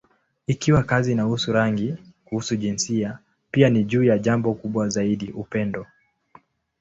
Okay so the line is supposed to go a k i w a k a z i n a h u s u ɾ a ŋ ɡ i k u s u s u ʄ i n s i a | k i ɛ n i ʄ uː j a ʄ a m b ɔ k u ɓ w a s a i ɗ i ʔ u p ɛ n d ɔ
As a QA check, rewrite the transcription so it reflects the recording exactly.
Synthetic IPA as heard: i k i w a k a z i n a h u s u ɾ a ŋ ɡ i k u h u s u ʄ i n s i a | p i a n i ʄ uː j a ʄ a m b ɔ k u ɓ w a z a i ɗ i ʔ u p ɛ n d ɔ